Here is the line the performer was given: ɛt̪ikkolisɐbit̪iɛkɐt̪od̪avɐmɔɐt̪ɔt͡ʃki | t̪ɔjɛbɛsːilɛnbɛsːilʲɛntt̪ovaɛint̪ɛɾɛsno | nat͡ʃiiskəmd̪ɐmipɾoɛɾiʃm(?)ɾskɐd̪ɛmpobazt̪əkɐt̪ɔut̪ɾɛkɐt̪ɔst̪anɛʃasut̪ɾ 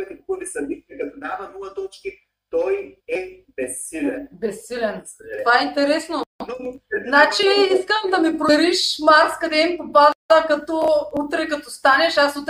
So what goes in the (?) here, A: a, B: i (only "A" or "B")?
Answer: A